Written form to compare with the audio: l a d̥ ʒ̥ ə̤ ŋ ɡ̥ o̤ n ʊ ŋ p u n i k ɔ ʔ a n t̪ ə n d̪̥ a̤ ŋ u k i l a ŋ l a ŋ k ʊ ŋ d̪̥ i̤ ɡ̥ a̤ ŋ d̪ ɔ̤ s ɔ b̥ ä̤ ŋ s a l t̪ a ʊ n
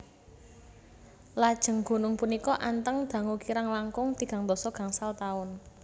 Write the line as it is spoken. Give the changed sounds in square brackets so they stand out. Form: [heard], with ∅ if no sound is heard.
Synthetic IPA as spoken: l a d̥ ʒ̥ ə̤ ŋ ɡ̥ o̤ n ʊ ŋ p u n i k ɔ ʔ a n t̪ ə [ŋ] d̪̥ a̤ ŋ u k i [ɾ] a ŋ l a ŋ k ʊ ŋ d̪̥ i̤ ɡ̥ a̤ ŋ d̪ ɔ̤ s ɔ [ɡ̥] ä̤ ŋ s a l t̪ a ʊ n